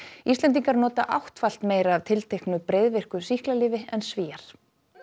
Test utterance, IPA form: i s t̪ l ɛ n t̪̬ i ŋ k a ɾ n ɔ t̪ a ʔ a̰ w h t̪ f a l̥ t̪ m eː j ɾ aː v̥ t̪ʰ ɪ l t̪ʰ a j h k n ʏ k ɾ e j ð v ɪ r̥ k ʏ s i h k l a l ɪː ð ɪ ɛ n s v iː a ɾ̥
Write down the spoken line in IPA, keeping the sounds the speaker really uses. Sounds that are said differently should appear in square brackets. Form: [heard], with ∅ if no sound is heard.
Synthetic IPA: i s t̪ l ɛ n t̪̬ i ŋ k a ɾ n [ɔː] t̪ a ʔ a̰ w h t̪ f a l̥ t̪ m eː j ɾ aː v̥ t̪ʰ ɪ l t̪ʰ [e] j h k n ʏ [p] ɾ e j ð v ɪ r̥ k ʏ s i h k l a l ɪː [v] ɪ ɛ n s v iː a ɾ̥